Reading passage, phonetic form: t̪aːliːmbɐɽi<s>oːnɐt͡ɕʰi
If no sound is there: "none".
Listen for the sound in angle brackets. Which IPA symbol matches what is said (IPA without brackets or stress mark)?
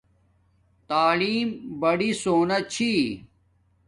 s